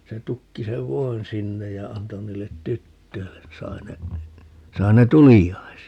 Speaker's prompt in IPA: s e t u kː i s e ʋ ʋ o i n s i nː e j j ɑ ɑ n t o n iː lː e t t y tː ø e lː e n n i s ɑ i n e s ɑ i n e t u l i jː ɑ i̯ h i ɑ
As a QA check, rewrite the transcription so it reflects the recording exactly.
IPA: s e t u kː i s e ʋ ʋ o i n s i nː e j j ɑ ɑ n t o n iː lː e t t y tː ø i lː e n n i s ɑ i n e s ɑ i n e t u l i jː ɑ i̯ s i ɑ